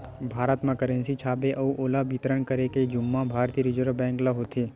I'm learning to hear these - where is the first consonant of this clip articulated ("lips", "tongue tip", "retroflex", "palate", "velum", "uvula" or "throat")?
lips